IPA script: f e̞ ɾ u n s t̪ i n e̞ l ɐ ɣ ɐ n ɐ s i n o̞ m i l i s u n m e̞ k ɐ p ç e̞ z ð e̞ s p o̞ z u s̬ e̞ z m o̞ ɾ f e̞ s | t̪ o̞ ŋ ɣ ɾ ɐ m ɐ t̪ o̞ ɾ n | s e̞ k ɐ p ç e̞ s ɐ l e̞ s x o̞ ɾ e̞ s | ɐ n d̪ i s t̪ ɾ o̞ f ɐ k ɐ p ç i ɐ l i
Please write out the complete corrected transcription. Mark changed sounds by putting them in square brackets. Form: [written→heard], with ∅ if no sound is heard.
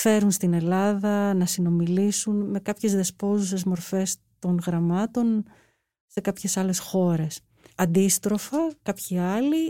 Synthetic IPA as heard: f e̞ ɾ u n s t̪ i n e̞ l ɐ [ɣ→ð] ɐ n ɐ s i n o̞ m i l i s u n m e̞ k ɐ p ç e̞ z ð e̞ s p o̞ z u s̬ e̞ z m o̞ ɾ f e̞ s | t̪ o̞ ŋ ɣ ɾ ɐ m ɐ t̪ o̞ [ɾ→∅] n | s e̞ k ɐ p ç e̞ s ɐ l e̞ s x o̞ ɾ e̞ s | ɐ n d̪ i s t̪ ɾ o̞ f ɐ k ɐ p ç i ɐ l i